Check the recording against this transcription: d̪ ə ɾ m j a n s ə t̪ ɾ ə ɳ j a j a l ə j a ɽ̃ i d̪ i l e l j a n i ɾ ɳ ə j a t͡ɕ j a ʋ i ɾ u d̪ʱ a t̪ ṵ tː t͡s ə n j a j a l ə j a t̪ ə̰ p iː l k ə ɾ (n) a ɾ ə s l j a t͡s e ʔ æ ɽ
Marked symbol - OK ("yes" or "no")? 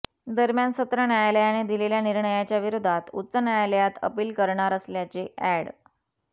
no